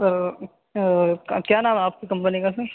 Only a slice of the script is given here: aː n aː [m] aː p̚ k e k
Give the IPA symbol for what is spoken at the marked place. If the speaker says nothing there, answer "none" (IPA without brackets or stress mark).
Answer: m